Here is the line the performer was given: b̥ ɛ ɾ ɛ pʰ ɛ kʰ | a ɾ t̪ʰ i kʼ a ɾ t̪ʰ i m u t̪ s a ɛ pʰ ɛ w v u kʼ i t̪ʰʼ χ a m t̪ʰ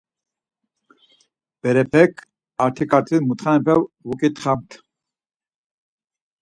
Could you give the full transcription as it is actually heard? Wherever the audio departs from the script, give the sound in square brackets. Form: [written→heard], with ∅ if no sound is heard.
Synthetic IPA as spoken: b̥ ɛ ɾ ɛ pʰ ɛ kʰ | a ɾ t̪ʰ i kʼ a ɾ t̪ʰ i m u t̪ [s→χ] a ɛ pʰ ɛ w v u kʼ i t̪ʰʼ χ a m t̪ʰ